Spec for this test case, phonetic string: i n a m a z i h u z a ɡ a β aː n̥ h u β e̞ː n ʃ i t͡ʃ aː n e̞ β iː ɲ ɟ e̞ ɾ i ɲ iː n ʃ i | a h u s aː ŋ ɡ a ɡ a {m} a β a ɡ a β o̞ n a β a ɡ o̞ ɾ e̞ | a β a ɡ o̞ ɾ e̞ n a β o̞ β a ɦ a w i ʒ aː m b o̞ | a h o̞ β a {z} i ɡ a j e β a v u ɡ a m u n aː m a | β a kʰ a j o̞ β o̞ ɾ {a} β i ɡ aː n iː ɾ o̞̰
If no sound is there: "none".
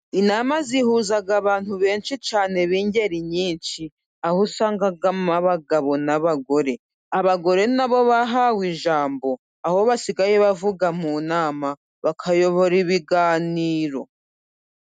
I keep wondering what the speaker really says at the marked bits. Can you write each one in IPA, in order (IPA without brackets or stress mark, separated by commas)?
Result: m, s, i